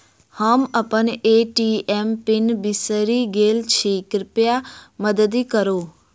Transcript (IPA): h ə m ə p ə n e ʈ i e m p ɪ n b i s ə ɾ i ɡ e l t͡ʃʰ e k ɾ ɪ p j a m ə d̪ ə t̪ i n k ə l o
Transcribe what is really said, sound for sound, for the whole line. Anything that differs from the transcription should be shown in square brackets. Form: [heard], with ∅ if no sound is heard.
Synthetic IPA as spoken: h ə m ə p ə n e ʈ i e m p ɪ n b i s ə ɾ i ɡ e l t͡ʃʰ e k ɾ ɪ p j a m ə d̪ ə [d̪] i [∅] k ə [ɾ] o